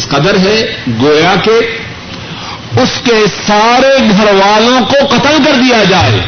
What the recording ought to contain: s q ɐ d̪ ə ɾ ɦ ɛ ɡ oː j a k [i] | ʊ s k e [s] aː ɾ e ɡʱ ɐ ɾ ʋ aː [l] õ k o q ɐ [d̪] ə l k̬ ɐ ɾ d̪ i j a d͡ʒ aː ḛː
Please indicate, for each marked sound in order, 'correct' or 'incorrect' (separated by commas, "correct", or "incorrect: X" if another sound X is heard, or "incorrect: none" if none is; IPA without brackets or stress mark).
incorrect: e, correct, correct, incorrect: t̪